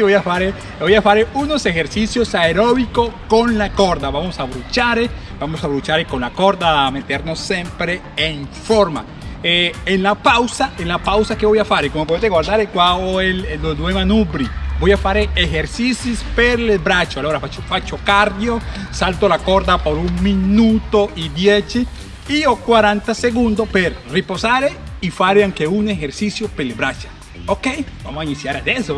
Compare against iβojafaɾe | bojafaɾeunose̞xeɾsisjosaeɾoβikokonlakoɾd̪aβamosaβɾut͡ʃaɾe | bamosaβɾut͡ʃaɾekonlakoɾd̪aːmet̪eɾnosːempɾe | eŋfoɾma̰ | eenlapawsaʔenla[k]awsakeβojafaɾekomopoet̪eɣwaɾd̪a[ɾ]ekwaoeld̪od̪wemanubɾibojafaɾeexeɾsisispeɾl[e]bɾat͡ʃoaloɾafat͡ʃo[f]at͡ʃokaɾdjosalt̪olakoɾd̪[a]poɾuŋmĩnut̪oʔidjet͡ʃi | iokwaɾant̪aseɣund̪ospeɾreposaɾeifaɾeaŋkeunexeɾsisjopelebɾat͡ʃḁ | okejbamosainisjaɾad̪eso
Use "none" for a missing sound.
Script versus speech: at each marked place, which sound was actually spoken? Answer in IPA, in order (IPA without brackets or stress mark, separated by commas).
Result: p, ɾ, e, f, a